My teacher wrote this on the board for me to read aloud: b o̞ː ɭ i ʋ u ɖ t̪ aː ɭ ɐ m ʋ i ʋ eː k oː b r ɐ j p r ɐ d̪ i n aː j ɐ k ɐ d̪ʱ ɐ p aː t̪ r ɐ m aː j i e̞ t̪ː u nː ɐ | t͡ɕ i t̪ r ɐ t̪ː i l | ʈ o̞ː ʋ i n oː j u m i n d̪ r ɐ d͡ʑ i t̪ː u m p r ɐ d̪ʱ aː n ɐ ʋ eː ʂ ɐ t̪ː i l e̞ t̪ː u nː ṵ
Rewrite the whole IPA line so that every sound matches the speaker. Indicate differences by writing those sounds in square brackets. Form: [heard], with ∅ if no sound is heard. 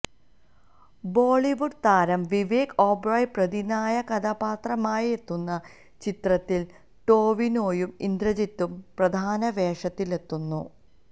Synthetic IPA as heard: b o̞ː ɭ i ʋ u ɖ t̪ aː [ɾ] ɐ m ʋ i ʋ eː k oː b r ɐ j p r ɐ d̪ i n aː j ɐ k ɐ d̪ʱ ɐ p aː t̪ r ɐ m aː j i e̞ t̪ː u nː ɐ | t͡ɕ i t̪ r ɐ t̪ː i l | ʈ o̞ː ʋ i n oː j u m i n d̪ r ɐ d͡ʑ i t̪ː u m p r ɐ d̪ʱ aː n ɐ ʋ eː ʂ ɐ t̪ː i l e̞ t̪ː u nː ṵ